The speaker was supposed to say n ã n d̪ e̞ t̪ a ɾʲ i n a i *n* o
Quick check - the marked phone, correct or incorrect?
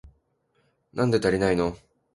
correct